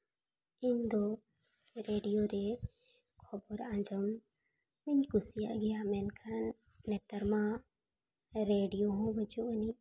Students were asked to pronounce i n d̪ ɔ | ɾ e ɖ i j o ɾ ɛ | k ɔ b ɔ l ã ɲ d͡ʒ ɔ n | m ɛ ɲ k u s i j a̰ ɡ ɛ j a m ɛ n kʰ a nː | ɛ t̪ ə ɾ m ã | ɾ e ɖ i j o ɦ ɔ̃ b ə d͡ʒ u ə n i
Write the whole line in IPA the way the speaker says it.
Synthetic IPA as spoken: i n d̪ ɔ | ɾ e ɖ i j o ɾ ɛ | kʰ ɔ b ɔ ɾ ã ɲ d͡ʒ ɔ m | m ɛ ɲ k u s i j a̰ ɡ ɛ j a m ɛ n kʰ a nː | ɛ t̪ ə ɾ m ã | ɾ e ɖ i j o ɦ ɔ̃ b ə d͡ʒ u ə n i